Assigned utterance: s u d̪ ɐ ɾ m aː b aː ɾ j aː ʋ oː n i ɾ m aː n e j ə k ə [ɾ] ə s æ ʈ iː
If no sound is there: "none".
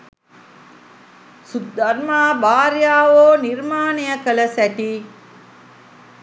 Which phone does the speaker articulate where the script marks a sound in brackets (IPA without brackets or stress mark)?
l